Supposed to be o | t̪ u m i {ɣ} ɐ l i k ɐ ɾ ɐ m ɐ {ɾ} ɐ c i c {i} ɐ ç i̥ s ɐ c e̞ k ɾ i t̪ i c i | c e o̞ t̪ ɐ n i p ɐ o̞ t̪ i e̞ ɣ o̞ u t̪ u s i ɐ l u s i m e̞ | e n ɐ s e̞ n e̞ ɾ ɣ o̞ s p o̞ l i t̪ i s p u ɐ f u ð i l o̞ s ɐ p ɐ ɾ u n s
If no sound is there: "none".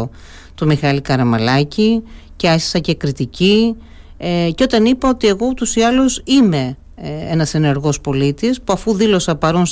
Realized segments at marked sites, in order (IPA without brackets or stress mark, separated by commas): x, l, e